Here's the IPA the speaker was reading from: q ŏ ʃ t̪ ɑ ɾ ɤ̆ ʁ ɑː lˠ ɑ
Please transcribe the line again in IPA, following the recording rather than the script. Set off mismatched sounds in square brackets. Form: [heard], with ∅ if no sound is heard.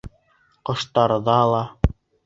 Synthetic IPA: q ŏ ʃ t̪ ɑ ɾ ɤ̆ [ð] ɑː lˠ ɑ